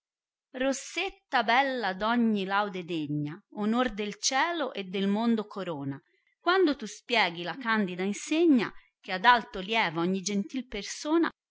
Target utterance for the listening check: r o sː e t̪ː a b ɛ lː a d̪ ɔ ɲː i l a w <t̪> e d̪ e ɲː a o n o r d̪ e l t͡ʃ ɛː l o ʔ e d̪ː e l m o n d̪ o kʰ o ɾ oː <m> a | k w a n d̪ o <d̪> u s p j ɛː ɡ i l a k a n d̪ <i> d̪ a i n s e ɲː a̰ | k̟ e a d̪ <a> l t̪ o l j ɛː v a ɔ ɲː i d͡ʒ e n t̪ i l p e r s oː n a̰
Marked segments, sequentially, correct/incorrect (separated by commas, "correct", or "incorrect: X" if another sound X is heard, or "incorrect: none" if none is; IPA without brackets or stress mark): incorrect: d̪, incorrect: n, incorrect: t̪, correct, correct